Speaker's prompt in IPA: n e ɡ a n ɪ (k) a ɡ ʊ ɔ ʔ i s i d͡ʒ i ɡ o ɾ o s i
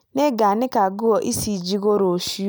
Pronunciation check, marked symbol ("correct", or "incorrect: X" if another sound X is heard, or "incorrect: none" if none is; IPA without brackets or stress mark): correct